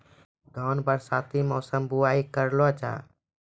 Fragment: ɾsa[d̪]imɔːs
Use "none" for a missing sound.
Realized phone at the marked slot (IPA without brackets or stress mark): t̪